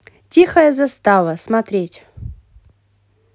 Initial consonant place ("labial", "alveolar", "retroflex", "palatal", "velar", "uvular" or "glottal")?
alveolar